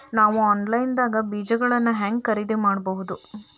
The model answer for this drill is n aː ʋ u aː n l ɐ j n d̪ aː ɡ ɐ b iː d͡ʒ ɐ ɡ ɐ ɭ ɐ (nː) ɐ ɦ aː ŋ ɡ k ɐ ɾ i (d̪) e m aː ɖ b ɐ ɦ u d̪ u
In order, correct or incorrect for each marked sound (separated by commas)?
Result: correct, correct